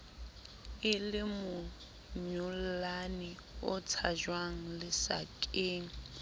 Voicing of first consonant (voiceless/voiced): voiced